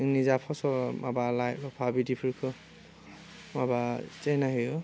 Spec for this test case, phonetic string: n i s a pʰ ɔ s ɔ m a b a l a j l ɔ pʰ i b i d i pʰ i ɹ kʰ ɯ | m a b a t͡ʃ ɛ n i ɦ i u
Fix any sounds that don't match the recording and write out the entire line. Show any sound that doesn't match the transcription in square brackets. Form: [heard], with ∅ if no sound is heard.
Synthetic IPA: n i [z] a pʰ ɔ s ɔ m a b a l a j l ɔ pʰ [a] b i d i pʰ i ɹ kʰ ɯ | m a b a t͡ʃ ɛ n [a] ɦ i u